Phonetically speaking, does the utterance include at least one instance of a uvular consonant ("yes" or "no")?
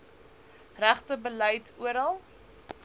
yes